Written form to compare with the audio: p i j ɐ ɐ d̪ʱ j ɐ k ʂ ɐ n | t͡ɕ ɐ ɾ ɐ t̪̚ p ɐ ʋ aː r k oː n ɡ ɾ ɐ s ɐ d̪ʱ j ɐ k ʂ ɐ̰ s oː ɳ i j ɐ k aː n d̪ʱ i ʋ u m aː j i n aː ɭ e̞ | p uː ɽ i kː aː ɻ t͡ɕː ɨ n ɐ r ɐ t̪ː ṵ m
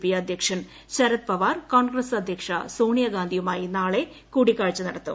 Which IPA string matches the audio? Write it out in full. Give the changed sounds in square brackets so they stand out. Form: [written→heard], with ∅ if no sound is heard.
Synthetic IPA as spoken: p i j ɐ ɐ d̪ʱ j ɐ k ʂ ɐ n | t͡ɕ ɐ ɾ ɐ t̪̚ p ɐ ʋ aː r k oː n ɡ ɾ ɐ s ɐ d̪ʱ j ɐ k ʂ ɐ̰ s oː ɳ i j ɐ [k→ɡ] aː n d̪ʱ i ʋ u m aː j i n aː ɭ e̞ | [p→k] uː ɽ i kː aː ɻ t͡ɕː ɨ n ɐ [r→ɽ] ɐ t̪ː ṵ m